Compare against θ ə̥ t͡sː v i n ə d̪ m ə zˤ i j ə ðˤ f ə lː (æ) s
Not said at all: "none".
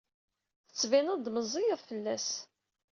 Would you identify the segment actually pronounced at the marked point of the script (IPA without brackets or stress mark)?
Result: æ